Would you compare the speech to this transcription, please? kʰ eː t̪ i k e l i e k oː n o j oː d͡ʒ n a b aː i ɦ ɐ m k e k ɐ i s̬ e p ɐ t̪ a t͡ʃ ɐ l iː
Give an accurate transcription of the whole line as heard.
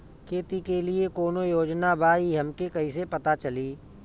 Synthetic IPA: kʰ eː t̪ i k e l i e k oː n o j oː d͡ʒ n a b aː i ɦ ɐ m k e k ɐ i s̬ e p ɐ t̪ a t͡ʃ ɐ l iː

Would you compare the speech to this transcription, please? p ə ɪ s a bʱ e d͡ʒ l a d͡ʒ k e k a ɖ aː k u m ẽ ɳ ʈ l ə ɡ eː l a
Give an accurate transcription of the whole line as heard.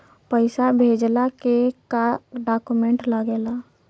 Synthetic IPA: p ə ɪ s a bʱ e d͡ʒ l a k e k a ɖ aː k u m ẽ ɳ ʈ l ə ɡ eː l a

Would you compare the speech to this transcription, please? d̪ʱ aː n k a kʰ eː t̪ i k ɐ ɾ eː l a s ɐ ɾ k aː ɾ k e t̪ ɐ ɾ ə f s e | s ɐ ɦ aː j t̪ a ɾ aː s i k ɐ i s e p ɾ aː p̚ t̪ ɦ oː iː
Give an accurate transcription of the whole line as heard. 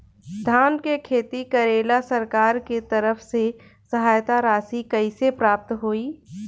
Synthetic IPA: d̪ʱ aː n k e kʰ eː t̪ i k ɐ ɾ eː l a s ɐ ɾ k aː ɾ k e t̪ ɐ ɾ ə f s e | s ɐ ɦ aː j t̪ a ɾ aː s i k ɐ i s e p ɾ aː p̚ t̪ ɦ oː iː

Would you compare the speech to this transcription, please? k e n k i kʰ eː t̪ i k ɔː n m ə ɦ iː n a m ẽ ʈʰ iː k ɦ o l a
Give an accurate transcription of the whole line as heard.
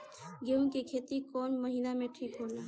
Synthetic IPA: ɡ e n k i kʰ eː t̪ i k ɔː n m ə ɦ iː n a m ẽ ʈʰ iː k ɦ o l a

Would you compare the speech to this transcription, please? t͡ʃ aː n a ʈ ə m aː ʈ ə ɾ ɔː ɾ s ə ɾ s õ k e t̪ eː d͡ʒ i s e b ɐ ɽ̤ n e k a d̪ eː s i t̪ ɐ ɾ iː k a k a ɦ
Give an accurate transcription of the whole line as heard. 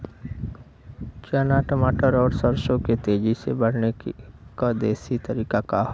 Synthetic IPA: t͡ʃ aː n a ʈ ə m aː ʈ ə ɾ ɔː ɾ s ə ɾ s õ k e t̪ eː d͡ʒ i s e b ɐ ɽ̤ n e k a d̪ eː s i t̪ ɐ ɾ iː k a k a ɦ

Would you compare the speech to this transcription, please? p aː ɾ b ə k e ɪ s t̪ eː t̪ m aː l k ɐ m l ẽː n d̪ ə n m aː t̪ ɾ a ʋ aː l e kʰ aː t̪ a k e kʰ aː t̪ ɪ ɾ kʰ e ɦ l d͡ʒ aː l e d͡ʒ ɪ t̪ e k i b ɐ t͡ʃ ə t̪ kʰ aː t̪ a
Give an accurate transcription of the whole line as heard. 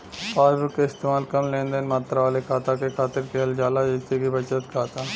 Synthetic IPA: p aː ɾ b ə k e ɪ s t̪ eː m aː l k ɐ m l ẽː n d̪ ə n m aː t̪ ɾ a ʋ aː l e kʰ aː t̪ a k e kʰ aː t̪ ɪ ɾ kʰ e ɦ l d͡ʒ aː l a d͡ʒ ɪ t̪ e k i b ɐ t͡ʃ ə t̪ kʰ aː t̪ a

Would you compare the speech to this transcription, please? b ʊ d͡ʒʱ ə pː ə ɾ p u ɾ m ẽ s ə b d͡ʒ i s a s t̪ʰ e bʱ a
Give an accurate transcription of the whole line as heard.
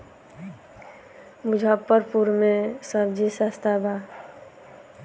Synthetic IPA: m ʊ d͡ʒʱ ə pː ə ɾ p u ɾ m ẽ s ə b d͡ʒ i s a s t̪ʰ a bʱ a

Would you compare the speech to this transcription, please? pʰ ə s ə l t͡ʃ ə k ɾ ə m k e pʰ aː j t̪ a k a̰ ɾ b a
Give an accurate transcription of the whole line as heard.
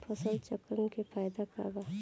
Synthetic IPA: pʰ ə s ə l t͡ʃ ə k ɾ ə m k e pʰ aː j d̪ a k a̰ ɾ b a

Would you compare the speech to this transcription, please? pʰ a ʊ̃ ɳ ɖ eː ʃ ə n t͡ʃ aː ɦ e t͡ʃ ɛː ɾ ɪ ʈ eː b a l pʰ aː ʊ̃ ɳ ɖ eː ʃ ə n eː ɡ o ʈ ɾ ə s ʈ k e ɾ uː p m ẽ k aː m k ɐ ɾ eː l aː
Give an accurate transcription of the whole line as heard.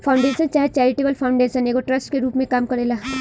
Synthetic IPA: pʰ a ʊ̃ ɳ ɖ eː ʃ ə n t͡ʃ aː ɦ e t͡ʃ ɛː ɾ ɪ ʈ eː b ə l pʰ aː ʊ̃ ɳ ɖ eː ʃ ə n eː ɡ o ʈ ɾ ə s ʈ k e ɾ uː p m ẽ k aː m k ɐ ɾ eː l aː

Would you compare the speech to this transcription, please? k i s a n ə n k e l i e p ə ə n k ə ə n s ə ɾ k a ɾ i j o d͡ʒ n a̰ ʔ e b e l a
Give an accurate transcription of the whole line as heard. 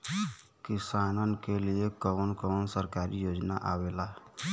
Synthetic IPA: k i s a n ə n k e l i e k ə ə n k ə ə n s ə ɾ k a ɾ i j o d͡ʒ n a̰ ʔ a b e l a

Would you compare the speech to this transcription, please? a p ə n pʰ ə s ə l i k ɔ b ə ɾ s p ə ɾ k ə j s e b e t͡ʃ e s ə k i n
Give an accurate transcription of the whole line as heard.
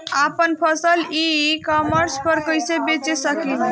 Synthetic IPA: a p ə n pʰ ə s ə l i k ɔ m ə ɾ s p ə ɾ k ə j s e b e t͡ʃ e s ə k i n

